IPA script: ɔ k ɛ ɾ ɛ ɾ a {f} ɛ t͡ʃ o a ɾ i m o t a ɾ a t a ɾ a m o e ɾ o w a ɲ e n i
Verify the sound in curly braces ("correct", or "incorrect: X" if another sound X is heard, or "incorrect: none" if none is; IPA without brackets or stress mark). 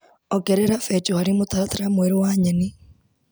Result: correct